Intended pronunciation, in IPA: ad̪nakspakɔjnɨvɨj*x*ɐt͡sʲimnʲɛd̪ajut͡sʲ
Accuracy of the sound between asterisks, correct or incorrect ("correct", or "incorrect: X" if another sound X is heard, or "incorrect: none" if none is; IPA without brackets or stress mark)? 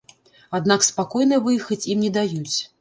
correct